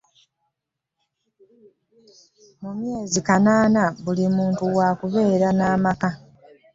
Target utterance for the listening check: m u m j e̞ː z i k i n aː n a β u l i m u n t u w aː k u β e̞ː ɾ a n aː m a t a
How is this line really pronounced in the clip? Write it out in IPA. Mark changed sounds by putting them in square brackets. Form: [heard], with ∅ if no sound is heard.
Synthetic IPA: m u m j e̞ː z i k [a] n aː n a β u l i m [uː] n t u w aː k u β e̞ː ɾ a n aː m a [k] a